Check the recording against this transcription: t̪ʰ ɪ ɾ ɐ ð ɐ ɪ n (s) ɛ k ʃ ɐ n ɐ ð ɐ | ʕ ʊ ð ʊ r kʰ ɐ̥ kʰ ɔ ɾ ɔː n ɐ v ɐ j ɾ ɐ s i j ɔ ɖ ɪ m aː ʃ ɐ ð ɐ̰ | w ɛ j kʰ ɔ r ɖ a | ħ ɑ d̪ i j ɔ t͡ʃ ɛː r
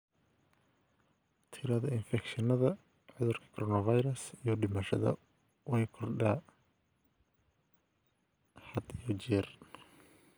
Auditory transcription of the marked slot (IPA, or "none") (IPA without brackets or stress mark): f